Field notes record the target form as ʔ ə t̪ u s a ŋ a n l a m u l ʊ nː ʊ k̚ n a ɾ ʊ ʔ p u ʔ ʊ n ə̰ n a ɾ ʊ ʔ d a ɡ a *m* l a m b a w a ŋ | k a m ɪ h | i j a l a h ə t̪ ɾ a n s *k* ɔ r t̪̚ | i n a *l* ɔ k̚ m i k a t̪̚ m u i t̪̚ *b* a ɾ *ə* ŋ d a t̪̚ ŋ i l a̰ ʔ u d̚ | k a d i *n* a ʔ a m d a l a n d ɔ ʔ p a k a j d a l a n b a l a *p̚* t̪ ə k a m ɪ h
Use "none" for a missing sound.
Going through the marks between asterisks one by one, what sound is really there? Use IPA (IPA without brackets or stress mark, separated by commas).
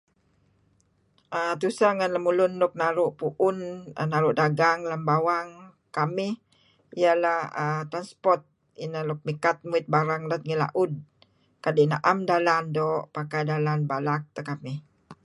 ŋ, p, l, b, a, n, k̚